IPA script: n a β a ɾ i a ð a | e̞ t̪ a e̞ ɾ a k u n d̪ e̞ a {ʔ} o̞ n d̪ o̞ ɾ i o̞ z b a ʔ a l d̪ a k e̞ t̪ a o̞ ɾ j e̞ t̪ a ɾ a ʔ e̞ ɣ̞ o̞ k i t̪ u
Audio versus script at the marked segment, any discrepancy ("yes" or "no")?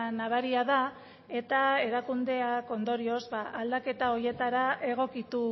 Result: yes